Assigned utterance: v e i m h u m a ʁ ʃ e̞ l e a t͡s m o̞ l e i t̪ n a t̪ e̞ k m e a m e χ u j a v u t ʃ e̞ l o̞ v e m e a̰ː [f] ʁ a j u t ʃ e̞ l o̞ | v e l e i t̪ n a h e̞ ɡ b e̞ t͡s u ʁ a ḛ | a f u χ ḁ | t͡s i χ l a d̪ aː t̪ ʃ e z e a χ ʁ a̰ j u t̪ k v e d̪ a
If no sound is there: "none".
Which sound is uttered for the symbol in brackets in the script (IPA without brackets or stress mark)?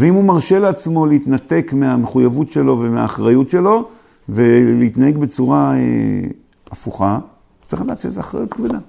χ